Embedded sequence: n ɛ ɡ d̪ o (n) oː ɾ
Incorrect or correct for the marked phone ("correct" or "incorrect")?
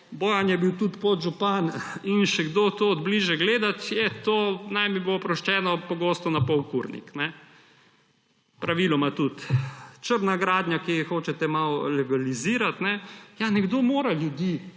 incorrect